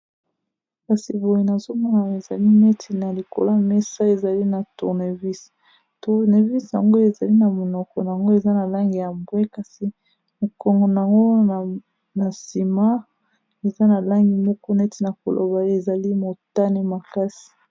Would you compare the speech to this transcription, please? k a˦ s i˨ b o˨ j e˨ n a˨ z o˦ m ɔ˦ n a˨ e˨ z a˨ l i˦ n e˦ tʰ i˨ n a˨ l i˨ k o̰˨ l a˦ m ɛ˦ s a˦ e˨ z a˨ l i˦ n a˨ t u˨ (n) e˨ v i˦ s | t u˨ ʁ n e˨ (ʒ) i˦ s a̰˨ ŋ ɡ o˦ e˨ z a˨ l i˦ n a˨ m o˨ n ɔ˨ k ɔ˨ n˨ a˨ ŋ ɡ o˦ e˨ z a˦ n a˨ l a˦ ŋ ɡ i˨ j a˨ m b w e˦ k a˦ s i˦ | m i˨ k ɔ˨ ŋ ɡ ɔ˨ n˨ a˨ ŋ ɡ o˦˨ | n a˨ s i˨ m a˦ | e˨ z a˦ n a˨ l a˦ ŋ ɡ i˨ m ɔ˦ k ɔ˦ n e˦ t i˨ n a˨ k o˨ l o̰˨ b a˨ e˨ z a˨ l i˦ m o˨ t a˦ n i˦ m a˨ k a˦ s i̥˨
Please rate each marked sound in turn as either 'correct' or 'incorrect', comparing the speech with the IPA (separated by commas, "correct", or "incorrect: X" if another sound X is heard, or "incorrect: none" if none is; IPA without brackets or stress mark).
correct, incorrect: v